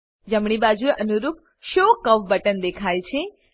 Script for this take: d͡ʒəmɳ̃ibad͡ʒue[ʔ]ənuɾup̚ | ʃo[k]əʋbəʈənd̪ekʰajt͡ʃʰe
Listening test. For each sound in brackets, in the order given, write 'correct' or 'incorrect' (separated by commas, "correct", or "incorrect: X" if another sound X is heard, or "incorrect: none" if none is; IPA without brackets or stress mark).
correct, correct